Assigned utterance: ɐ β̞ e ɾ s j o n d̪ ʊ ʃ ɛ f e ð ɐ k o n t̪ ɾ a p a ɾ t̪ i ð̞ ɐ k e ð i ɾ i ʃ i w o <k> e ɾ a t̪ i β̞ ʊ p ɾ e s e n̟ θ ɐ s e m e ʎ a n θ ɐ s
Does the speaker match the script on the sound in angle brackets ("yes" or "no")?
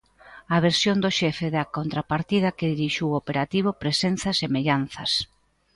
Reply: no